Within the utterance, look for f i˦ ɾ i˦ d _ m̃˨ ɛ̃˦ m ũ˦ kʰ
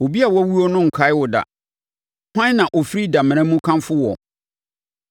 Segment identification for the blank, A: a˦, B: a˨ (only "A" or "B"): B